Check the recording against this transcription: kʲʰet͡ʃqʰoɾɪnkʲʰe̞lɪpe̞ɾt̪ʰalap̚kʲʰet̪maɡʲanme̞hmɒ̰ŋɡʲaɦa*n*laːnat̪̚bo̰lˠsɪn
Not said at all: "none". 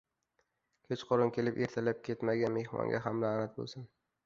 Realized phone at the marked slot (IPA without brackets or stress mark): m